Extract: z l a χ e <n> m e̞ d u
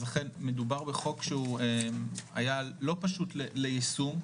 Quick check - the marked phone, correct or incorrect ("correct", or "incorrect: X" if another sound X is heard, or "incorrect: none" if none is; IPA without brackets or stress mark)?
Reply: correct